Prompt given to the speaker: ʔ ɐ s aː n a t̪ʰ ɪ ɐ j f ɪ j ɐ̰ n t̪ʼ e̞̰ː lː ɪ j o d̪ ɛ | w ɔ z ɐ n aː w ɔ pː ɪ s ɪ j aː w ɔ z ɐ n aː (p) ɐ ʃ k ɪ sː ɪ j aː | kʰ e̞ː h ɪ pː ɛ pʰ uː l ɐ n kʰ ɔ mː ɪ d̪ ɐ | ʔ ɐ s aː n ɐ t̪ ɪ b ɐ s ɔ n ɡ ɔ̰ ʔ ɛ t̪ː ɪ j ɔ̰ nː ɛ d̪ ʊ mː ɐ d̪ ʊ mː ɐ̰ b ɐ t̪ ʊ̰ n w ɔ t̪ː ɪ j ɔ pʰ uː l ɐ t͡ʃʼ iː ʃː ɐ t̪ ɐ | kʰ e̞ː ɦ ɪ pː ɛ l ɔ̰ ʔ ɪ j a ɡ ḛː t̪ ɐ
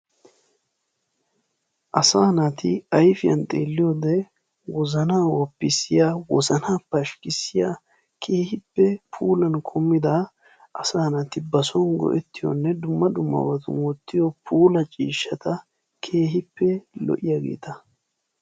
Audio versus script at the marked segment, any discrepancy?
no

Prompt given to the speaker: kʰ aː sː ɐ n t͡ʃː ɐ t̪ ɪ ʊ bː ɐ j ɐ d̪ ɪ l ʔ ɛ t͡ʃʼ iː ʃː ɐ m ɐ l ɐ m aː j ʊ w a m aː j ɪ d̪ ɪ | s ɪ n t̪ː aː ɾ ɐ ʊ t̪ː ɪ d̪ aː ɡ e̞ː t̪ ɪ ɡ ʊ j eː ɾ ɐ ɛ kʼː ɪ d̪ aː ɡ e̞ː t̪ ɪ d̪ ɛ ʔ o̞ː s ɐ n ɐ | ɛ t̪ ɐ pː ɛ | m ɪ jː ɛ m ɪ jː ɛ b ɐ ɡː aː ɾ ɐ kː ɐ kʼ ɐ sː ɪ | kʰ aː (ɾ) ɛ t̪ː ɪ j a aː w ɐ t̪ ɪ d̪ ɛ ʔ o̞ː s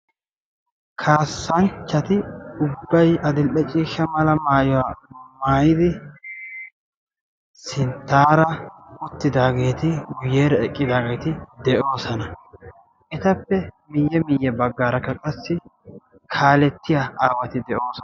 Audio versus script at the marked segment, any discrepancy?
yes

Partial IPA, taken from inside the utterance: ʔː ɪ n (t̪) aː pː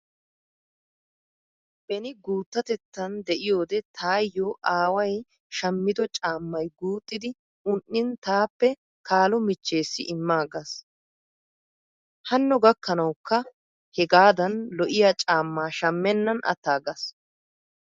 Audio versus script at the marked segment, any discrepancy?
no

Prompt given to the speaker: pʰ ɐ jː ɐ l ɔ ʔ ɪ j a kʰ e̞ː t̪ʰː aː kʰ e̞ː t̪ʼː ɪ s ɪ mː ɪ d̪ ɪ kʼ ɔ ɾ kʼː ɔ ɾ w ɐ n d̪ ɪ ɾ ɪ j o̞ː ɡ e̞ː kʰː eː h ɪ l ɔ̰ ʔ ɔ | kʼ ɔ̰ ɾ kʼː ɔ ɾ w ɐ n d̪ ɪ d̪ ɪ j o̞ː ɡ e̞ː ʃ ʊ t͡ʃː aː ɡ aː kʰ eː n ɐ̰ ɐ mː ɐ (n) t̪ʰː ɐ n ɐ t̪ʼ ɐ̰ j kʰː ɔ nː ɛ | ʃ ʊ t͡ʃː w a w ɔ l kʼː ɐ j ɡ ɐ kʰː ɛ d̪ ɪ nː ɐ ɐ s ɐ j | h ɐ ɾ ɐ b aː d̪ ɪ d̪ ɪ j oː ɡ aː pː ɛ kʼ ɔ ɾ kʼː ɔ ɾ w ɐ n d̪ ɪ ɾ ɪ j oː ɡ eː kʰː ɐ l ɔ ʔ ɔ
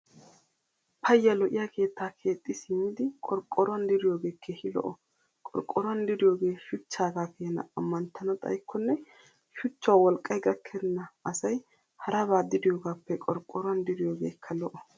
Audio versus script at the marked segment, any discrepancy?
no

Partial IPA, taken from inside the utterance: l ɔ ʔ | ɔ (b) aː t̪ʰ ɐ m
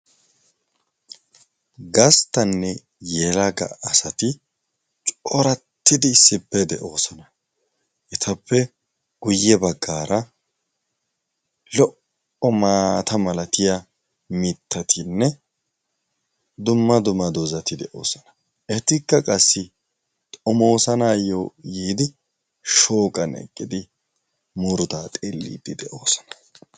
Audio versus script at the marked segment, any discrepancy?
yes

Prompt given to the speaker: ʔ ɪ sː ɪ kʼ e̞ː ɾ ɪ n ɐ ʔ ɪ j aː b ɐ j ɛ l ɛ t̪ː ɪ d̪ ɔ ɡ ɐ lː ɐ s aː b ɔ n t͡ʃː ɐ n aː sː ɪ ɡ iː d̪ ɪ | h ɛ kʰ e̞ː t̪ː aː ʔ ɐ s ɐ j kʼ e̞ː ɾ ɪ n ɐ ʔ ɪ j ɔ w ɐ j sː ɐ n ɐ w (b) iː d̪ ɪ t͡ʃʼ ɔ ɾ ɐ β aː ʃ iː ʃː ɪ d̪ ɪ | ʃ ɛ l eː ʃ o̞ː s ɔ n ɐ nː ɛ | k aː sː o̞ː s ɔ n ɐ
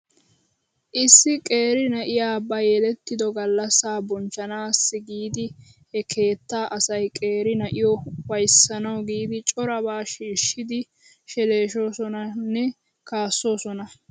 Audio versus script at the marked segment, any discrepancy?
yes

